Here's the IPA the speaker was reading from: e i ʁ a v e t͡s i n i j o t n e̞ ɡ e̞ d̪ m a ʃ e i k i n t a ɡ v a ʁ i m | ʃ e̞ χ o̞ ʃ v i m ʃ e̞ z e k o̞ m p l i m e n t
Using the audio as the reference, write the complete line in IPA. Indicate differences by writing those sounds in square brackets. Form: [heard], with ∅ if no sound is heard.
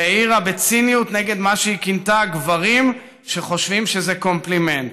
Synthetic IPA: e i ʁ a [b] e t͡s i n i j [u] t n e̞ ɡ e̞ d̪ m a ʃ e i k i n t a ɡ v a ʁ i m | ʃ e̞ χ o̞ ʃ v i m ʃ e̞ z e k o̞ m p l i m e n t